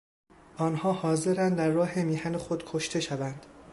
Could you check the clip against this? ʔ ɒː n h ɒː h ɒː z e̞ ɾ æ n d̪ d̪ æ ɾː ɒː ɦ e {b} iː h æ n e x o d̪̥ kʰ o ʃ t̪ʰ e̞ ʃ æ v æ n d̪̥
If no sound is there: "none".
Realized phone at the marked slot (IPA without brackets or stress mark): m